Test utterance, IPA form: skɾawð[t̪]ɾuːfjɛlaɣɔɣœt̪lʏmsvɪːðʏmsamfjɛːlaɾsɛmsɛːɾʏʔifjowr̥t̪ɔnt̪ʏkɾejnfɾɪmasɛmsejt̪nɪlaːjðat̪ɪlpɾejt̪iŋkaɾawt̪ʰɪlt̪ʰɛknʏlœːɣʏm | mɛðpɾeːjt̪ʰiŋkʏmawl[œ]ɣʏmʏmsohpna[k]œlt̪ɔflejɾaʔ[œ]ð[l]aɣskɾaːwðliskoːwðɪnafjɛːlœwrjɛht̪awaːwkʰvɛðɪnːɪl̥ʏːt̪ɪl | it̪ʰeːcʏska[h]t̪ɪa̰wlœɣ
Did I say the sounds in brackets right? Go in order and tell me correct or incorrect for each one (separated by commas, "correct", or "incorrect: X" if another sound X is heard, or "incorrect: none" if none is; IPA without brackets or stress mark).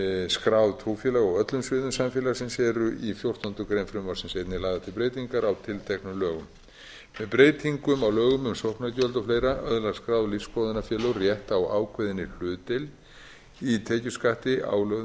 incorrect: t̪ʰ, incorrect: œː, incorrect: c, correct, correct, correct